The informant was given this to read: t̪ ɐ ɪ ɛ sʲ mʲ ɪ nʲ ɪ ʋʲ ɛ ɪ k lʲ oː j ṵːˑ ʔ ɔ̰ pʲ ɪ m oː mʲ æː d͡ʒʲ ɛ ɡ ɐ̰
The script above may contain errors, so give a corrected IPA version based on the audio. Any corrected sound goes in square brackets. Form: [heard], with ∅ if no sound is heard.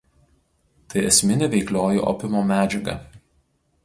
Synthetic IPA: t̪ ɐ ɪ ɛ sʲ mʲ ɪ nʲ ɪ ʋʲ ɛ ɪ k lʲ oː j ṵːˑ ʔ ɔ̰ pʲ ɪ m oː mʲ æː d͡ʒʲ ɛ ɡ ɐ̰

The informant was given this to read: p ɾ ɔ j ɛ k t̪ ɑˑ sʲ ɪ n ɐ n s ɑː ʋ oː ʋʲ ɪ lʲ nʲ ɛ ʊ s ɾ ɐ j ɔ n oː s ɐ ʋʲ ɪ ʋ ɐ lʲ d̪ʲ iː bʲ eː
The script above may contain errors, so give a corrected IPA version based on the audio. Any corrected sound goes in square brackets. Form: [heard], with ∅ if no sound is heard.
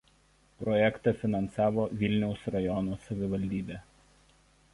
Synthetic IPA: p ɾ ɔ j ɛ k t̪ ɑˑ [fʲ] ɪ n ɐ n s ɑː ʋ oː ʋʲ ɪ lʲ nʲ ɛ ʊ s ɾ ɐ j ɔ n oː s ɐ ʋʲ ɪ ʋ ɐ lʲ d̪ʲ iː bʲ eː

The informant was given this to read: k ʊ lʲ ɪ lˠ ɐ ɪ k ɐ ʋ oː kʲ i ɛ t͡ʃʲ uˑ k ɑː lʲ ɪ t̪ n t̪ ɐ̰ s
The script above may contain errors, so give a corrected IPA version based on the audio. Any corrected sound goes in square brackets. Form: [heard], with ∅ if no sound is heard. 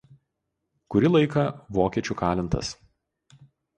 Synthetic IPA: k ʊ [ɾʲ] ɪ lˠ ɐ ɪ k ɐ ʋ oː kʲ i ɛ t͡ʃʲ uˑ k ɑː lʲ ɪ [∅] n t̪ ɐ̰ s

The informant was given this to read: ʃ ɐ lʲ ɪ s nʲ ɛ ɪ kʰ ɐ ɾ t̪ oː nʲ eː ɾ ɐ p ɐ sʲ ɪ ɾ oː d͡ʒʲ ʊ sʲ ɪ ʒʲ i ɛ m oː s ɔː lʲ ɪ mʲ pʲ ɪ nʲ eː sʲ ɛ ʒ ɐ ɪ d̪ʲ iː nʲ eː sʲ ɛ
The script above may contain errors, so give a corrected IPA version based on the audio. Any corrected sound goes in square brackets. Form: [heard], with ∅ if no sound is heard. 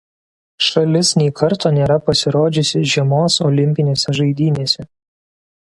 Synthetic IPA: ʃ ɐ lʲ ɪ s nʲ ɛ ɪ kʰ ɐ ɾ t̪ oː nʲ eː ɾ ɐ p ɐ sʲ ɪ ɾ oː d͡ʒʲ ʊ sʲ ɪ ʒʲ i ɛ m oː s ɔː lʲ ɪ mʲ pʲ ɪ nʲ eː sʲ ɛ ʒ ɐ ɪ d̪ʲ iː nʲ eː sʲ ɛ

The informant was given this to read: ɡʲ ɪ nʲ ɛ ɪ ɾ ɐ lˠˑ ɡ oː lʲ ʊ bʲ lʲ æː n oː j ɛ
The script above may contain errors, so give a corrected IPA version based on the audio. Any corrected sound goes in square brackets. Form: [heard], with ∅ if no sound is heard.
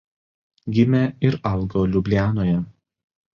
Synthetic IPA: ɡʲ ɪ [mʲ] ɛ ɪ ɾ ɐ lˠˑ ɡ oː lʲ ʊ bʲ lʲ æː n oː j ɛ

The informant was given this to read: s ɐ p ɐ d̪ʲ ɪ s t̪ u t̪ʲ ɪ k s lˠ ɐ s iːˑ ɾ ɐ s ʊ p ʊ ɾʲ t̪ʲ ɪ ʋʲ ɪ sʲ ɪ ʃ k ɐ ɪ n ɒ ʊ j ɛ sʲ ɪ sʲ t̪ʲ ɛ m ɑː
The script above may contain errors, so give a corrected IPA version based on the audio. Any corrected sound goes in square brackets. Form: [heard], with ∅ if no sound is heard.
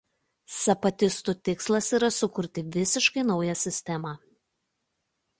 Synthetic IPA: s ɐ p ɐ [t̪ʲ] ɪ s t̪ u t̪ʲ ɪ k s lˠ ɐ s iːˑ ɾ ɐ s ʊ [k] ʊ ɾʲ t̪ʲ ɪ ʋʲ ɪ sʲ ɪ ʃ k ɐ ɪ n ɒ ʊ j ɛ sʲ ɪ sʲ t̪ʲ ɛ m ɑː

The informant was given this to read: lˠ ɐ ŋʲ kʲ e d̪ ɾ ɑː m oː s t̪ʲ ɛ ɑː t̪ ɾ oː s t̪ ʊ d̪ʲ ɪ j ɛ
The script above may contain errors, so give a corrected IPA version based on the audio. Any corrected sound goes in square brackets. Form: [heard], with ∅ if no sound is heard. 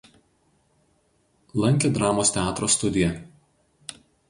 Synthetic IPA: lˠ ɐ ŋʲ kʲ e d̪ ɾ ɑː m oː s t̪ʲ ɛ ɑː t̪ ɾ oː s t̪ ʊ d̪ʲ ɪ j ɛ

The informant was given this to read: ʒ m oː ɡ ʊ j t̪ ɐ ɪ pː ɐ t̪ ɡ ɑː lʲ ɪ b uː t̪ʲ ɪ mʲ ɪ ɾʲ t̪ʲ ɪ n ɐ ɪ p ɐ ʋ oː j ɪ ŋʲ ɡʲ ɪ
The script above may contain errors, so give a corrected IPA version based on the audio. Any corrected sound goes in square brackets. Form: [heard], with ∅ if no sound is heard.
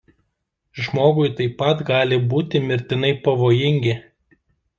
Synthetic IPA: ʒ m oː ɡ ʊ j t̪ ɐ ɪ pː ɐ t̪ ɡ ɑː lʲ ɪ b uː t̪ʲ ɪ mʲ ɪ ɾʲ t̪ʲ ɪ n ɐ ɪ p ɐ ʋ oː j ɪ ŋʲ ɡʲ ɪ

